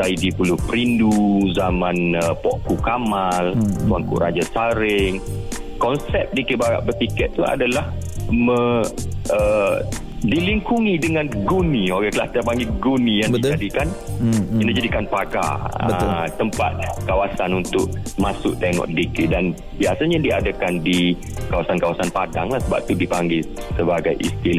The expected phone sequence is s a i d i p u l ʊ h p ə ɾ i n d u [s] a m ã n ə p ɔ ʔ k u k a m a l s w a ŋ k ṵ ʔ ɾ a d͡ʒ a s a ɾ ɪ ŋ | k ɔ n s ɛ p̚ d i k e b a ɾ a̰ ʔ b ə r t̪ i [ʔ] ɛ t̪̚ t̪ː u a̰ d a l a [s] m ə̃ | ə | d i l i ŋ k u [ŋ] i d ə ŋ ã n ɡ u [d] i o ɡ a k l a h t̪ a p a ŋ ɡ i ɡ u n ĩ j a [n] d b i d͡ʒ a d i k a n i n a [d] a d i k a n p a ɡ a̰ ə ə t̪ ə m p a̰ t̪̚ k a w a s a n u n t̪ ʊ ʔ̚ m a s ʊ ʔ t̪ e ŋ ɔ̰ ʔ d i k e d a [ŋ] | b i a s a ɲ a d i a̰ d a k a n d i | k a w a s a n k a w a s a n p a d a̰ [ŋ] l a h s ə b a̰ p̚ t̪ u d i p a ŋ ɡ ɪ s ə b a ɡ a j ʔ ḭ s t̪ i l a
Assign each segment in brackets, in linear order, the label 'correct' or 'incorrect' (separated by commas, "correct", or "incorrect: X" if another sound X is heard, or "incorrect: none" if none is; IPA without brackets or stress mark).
incorrect: z, incorrect: k, incorrect: h, correct, incorrect: n, incorrect: ŋ, incorrect: d͡ʒ, incorrect: n, correct